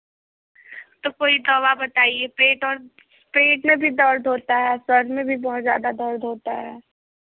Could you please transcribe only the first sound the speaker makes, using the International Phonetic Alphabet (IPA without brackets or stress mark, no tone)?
t̪